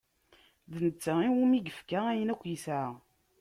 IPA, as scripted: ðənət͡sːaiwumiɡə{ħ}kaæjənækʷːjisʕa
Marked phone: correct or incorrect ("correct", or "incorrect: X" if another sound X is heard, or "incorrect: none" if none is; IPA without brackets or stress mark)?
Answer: incorrect: f